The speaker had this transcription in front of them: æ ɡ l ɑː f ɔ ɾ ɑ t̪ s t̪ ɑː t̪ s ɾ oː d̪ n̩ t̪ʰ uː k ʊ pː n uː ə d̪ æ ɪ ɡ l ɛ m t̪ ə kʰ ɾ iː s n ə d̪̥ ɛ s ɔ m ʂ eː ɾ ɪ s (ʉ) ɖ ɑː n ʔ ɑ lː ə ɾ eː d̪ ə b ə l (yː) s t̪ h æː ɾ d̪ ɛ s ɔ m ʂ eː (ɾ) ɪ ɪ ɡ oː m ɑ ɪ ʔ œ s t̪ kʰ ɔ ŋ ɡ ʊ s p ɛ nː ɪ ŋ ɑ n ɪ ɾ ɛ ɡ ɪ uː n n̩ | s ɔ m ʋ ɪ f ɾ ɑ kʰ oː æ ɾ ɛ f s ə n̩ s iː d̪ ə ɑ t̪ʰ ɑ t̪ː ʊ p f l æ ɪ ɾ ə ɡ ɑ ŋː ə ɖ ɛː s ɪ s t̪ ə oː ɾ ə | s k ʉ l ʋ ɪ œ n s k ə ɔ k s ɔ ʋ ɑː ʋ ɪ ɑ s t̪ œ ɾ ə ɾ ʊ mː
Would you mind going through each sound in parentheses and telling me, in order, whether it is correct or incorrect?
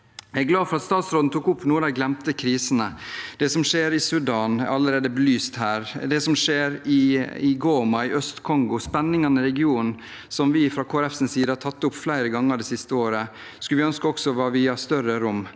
correct, correct, correct

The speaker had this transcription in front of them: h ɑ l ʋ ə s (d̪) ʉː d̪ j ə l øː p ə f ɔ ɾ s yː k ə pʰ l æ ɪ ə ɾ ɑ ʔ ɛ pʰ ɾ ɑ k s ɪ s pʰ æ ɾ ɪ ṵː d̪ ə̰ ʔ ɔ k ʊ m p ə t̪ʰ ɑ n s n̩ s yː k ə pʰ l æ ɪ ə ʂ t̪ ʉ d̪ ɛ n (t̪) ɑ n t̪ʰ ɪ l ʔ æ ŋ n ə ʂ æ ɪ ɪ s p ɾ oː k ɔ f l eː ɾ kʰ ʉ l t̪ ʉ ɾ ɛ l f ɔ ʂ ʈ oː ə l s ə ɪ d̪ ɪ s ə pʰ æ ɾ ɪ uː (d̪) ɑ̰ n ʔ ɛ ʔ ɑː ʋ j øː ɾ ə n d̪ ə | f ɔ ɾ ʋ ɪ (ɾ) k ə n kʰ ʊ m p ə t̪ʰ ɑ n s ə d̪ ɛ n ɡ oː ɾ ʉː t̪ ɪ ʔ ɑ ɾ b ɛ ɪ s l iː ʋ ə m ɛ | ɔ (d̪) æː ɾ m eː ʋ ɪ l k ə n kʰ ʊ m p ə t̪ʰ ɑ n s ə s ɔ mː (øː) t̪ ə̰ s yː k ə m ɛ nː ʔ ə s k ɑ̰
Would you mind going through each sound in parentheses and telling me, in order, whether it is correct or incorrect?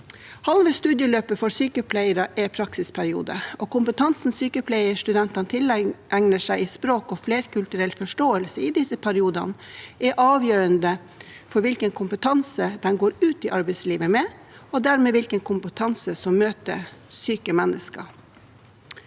incorrect: t̪, correct, correct, incorrect: l, correct, correct

